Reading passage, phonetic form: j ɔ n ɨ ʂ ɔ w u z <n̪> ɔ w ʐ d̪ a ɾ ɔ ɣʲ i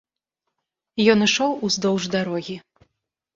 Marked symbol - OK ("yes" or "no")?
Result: no